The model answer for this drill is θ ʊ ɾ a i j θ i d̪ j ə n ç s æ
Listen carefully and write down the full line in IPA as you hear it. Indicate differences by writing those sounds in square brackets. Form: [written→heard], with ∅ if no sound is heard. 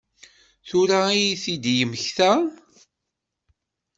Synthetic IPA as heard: θ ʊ ɾ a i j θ i d̪ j ə [n→m] ç [s→θ] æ